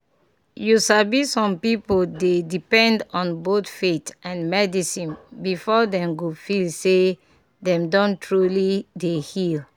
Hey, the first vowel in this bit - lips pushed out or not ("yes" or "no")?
yes